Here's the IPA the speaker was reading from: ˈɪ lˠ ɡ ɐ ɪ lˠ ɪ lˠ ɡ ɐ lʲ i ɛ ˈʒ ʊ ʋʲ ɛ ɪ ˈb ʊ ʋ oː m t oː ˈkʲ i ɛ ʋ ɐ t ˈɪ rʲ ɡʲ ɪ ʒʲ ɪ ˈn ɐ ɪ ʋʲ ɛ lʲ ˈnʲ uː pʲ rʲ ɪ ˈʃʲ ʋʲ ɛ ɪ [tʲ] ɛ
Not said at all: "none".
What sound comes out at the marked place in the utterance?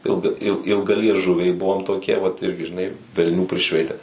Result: tʲ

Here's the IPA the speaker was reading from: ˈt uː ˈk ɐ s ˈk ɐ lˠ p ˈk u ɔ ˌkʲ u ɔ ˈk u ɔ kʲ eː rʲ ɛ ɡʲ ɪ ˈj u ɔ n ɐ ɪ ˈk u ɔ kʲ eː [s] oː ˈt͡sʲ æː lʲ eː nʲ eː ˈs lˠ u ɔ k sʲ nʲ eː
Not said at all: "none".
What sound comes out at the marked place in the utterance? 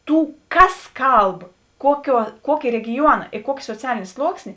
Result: s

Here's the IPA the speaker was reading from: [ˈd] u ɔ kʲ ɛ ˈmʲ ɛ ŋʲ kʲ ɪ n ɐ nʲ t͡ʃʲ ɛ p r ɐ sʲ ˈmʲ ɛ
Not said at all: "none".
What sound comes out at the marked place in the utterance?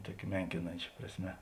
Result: t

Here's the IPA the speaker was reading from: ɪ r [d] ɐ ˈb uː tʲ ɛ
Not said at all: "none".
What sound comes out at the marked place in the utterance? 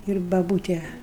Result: b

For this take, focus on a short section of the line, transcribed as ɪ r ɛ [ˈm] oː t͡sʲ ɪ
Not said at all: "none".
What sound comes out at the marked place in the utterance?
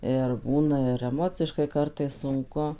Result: m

